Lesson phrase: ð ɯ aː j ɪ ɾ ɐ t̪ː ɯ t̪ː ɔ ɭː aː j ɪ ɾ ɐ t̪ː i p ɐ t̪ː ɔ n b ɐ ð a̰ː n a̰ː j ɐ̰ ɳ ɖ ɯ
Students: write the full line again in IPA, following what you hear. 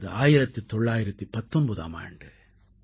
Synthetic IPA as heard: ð ɯ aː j ɪ ɾ ɐ t̪ː ɯ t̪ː ɔ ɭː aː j ɪ ɾ ɐ t̪ː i p ɐ t̪ː ɔ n b ɐ ð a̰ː m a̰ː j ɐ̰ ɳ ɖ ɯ